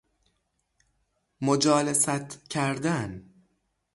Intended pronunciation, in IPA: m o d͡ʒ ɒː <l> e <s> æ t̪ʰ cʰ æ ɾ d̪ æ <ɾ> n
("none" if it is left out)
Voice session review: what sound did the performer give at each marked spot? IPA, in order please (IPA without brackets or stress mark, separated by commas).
l, s, none